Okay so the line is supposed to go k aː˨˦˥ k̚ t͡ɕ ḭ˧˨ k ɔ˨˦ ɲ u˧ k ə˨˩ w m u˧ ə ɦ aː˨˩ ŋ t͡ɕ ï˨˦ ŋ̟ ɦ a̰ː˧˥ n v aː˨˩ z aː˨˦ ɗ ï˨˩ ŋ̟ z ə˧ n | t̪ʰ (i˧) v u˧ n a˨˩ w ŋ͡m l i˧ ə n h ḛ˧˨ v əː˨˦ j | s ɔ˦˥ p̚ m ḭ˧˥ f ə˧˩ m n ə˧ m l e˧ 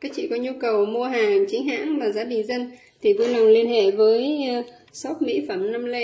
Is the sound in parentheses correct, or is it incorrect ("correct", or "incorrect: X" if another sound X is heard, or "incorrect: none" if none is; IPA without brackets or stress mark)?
incorrect: i˨˩